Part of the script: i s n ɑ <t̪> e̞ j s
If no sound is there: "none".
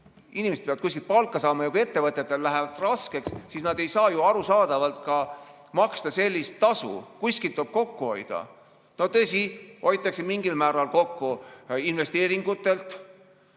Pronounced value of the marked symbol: d̪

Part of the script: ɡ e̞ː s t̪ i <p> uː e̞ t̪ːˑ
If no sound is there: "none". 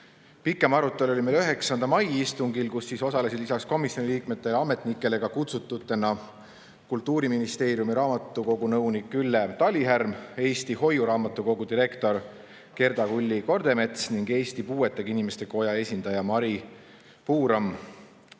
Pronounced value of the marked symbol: p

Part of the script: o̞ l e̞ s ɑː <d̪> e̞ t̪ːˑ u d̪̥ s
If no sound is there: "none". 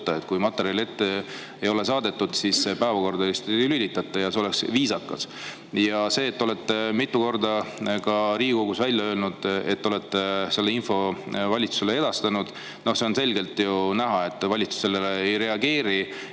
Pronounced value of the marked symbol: d̪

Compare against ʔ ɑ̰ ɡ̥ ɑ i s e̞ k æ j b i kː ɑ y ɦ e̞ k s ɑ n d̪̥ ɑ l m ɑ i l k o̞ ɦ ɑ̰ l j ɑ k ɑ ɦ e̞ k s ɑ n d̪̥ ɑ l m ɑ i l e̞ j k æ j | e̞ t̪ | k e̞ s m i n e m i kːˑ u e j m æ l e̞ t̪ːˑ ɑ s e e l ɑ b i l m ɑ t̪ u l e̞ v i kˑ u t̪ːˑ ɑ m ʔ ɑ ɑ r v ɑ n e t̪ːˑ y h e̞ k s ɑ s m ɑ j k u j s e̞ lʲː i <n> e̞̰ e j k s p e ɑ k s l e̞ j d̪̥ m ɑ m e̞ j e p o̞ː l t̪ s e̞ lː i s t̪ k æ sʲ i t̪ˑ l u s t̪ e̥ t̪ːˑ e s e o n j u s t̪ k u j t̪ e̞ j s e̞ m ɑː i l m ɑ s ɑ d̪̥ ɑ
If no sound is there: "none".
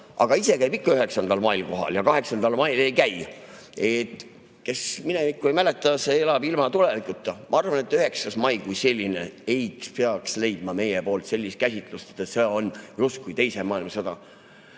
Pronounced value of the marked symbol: n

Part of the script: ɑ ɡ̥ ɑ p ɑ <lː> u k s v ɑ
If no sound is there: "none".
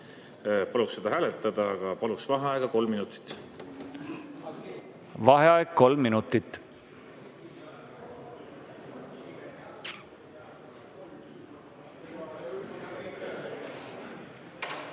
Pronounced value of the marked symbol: l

